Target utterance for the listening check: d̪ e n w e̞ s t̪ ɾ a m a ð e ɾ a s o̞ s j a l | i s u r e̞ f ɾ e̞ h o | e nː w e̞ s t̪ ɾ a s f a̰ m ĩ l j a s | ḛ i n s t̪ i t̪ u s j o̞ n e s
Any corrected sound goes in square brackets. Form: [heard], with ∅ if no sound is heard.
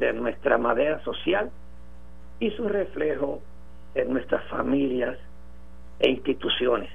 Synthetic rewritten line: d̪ e n w e̞ s t̪ ɾ a m a ð e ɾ a s o̞ s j a l | i s u r e̞ f [l] e̞ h o | e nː w e̞ s t̪ ɾ a s f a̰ m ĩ l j a s | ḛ i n s t̪ i t̪ u s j o̞ n e s